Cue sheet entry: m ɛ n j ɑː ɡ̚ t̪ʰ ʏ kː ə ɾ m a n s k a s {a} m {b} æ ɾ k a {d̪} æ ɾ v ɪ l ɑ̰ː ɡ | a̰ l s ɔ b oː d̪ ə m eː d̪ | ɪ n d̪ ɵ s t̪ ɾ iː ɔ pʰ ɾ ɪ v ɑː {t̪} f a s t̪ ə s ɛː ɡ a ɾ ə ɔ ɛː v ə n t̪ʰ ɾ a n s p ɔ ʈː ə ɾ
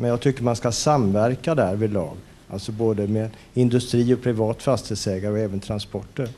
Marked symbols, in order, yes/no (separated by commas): yes, no, yes, yes